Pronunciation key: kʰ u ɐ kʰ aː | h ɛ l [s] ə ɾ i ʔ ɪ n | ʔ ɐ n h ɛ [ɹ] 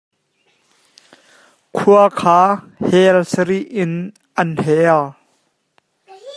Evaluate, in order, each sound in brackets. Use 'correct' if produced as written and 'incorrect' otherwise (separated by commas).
correct, incorrect